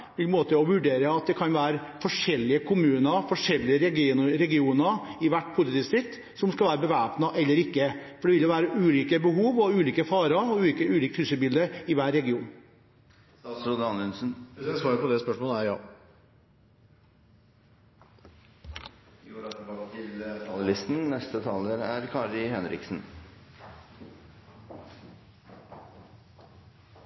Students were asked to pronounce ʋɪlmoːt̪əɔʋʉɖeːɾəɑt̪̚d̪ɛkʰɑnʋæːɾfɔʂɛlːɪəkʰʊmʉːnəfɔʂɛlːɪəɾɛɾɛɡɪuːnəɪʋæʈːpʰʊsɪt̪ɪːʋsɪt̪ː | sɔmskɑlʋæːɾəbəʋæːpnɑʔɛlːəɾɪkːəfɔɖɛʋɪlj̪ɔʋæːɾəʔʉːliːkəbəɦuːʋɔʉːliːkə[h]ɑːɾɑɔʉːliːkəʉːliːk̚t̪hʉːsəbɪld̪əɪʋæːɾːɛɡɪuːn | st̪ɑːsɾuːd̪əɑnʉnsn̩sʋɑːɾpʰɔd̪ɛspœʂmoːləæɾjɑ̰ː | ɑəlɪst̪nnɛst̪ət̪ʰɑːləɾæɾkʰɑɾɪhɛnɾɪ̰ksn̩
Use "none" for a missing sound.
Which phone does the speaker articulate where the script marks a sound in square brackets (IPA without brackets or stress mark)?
f